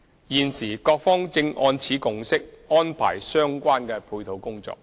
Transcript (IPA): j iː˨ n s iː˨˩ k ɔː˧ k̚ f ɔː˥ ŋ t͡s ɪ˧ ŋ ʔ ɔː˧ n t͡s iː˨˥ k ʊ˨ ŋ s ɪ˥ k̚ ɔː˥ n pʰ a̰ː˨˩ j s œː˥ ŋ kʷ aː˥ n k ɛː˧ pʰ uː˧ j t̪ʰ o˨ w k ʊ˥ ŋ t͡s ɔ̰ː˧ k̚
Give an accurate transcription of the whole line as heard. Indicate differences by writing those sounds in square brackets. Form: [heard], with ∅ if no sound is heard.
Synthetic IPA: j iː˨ n s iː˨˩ k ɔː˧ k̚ f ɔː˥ ŋ t͡s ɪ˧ ŋ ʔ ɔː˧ n [t͡sʰ] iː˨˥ k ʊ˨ ŋ s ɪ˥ k̚ ɔː˥ n pʰ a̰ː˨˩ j s œː˥ ŋ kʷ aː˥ n k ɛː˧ pʰ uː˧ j t̪ʰ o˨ w k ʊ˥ ŋ t͡s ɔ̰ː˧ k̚

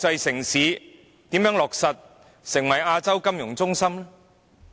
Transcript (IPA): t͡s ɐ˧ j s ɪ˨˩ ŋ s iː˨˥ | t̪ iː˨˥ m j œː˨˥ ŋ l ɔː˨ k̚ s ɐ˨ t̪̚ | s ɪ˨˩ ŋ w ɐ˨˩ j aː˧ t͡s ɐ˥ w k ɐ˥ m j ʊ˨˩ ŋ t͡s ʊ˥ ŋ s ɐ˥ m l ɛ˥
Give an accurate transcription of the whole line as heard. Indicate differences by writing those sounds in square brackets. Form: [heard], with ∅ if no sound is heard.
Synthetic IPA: t͡s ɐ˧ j s ɪ˨˩ ŋ s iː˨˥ | t̪ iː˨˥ m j œː˨˥ ŋ l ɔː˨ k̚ s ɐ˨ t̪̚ | s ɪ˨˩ ŋ w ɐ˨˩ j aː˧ t͡s ɐ˥ w k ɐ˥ m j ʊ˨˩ ŋ t͡s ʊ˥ ŋ s ɐ˥ m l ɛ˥

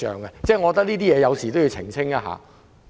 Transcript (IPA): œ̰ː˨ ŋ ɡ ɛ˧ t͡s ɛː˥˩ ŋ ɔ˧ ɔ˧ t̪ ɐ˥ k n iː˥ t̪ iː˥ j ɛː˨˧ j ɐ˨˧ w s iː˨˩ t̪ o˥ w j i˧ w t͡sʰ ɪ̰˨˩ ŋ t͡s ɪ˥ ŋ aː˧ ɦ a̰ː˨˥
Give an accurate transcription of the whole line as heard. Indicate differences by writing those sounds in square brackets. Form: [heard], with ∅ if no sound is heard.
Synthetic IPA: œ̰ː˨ ŋ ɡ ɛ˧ t͡s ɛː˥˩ ŋ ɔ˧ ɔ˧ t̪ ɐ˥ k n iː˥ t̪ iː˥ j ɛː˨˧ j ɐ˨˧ w s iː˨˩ t̪ o˥ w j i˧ w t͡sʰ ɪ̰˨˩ ŋ [t͡sʰ] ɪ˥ ŋ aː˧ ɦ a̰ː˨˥

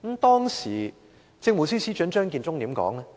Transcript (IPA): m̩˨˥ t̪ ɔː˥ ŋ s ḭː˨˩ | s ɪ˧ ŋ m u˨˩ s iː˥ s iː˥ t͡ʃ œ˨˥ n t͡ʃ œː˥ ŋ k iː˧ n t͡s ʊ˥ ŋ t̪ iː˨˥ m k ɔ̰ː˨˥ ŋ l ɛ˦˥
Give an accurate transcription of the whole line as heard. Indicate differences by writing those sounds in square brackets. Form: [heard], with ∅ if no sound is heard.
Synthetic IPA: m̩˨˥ t̪ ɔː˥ ŋ s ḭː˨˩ | [t͡s] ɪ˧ ŋ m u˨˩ s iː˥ s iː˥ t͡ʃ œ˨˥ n t͡ʃ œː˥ ŋ k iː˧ n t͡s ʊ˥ ŋ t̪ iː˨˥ m k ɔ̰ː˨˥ ŋ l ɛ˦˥

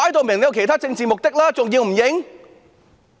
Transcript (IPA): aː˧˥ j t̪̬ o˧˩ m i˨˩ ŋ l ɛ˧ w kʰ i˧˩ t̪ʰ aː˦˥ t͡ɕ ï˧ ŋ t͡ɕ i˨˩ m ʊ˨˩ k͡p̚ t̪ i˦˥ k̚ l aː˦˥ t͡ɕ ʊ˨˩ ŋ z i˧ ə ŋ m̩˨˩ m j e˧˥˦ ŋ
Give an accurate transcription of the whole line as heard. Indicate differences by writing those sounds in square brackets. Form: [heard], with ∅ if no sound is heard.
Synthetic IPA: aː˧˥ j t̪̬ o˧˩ m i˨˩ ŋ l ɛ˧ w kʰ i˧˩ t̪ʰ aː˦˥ t͡ɕ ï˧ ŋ t͡ɕ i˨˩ m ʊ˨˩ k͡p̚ t̪ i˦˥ k̚ l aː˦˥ t͡ɕ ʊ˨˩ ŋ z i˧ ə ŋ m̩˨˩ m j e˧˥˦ ŋ

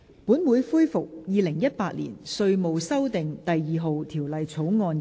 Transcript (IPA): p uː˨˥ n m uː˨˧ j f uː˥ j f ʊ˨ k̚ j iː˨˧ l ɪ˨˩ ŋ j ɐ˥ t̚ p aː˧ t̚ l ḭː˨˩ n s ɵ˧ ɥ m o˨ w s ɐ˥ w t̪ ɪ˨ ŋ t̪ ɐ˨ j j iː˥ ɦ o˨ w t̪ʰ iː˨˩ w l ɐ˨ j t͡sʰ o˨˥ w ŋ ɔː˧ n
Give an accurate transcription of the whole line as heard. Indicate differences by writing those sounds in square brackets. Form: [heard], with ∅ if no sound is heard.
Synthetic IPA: p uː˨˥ n m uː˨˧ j f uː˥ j f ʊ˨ k̚ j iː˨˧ l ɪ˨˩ ŋ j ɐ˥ t̚ p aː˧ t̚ l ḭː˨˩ n s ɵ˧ ɥ m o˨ w s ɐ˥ w t̪ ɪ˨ ŋ t̪ ɐ˨ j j [iː˨] ɦ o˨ w t̪ʰ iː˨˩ w l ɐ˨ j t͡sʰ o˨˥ w ŋ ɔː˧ n

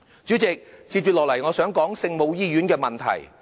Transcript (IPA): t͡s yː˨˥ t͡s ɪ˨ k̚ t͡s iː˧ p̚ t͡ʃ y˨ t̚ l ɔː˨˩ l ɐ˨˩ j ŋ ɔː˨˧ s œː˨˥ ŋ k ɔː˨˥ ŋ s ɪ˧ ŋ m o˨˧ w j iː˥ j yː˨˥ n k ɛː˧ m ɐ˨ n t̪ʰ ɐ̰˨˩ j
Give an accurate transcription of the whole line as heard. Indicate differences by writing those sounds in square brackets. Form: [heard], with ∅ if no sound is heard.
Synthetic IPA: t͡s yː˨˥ t͡s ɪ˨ k̚ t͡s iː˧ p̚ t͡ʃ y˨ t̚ l ɔː˨˩ l ɐ˨˩ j ŋ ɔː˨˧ s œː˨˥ ŋ k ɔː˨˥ ŋ s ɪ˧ ŋ m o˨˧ w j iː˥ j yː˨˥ n k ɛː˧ m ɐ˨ n t̪ʰ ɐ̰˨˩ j

